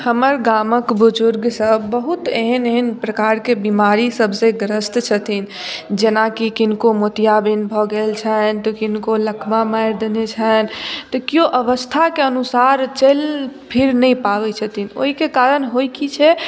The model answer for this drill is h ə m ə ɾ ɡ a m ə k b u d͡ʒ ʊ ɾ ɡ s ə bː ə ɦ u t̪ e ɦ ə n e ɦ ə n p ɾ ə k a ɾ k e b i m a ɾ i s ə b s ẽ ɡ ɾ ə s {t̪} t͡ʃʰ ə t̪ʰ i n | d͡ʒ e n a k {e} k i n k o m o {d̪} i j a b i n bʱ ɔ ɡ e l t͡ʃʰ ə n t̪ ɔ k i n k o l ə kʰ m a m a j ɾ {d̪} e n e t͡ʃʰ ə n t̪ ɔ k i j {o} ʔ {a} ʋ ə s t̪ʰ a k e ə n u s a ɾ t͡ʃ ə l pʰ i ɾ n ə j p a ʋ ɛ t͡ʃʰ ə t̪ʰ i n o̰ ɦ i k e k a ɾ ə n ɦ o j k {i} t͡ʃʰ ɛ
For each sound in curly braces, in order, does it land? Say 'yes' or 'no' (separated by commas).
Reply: yes, no, no, yes, yes, no, yes